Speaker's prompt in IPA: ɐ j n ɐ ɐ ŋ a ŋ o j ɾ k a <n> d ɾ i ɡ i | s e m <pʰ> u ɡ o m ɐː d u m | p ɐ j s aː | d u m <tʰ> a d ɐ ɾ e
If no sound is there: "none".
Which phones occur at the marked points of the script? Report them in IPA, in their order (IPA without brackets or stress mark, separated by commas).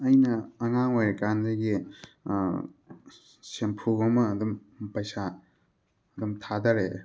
n, pʰ, tʰ